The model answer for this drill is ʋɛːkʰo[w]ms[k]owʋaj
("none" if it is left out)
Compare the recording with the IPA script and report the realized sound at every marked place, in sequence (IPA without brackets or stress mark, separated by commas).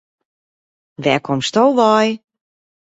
none, t